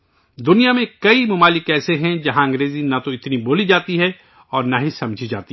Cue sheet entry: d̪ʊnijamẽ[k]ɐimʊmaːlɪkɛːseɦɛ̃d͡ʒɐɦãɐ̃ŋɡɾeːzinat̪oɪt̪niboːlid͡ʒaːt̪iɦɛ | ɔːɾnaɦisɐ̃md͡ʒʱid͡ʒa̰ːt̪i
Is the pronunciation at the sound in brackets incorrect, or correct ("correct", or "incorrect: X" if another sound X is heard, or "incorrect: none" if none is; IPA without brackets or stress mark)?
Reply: correct